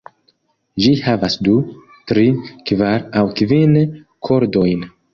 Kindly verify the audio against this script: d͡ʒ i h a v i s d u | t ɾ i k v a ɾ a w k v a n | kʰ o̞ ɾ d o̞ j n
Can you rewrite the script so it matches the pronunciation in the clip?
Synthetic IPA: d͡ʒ i h a v a s d u | t ɾ i k v a ɾ a w k v i n | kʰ o̞ ɾ d o̞ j n